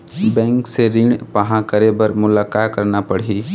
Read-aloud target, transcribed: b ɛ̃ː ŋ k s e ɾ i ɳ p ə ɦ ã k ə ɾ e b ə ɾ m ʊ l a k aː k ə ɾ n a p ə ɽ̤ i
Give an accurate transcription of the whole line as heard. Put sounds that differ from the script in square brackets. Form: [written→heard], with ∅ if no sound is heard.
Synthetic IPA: b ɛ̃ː ŋ k s e ɾ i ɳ p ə ɦ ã k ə ɾ e b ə ɾ m ʊ l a k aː k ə ɾ n a p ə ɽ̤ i